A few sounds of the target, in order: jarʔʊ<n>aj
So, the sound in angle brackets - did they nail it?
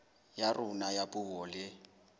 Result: yes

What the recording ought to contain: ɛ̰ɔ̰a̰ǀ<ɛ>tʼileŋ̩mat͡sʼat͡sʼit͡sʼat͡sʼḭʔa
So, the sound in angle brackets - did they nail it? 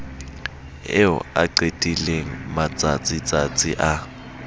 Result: no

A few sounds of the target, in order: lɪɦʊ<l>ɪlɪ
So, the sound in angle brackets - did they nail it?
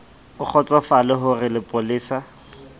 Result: no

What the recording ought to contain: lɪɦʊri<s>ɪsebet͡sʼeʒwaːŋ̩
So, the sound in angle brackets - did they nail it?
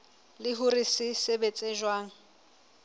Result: yes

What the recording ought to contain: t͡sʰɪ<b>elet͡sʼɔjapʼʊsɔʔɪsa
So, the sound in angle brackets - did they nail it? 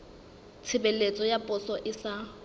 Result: yes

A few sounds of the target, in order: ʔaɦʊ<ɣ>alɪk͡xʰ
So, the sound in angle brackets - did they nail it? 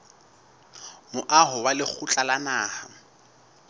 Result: no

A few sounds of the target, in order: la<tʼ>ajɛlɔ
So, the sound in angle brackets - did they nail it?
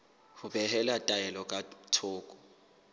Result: yes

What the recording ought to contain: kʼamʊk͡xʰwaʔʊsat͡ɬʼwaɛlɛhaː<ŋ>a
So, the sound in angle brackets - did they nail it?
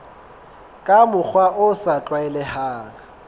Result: yes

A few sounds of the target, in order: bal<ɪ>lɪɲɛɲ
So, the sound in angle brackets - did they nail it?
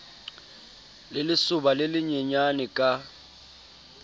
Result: yes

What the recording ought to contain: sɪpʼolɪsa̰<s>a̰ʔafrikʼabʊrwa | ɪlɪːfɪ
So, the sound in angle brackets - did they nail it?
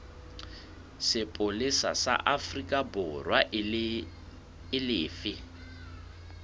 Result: yes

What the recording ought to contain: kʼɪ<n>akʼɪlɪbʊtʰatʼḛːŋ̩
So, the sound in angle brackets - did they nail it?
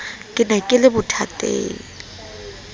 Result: yes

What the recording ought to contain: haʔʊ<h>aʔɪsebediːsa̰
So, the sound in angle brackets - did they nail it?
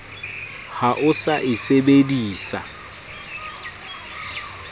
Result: no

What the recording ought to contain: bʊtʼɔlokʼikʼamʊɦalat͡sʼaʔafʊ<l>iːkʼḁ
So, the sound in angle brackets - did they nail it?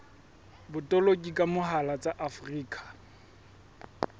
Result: no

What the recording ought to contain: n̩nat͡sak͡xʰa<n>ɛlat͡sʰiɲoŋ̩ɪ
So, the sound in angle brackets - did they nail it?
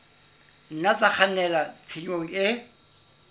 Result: yes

